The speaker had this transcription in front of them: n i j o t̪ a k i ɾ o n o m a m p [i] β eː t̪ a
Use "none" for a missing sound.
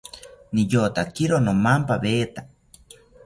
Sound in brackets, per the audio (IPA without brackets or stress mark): a